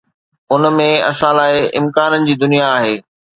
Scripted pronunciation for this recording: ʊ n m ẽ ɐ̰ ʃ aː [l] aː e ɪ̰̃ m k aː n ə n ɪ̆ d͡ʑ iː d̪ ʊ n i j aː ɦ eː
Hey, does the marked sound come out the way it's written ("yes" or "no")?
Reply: yes